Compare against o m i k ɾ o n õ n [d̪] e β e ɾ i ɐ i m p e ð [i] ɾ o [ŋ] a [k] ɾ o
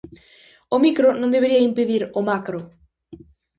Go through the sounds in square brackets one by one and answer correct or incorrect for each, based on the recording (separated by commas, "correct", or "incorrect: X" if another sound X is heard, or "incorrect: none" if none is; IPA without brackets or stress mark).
correct, correct, incorrect: m, correct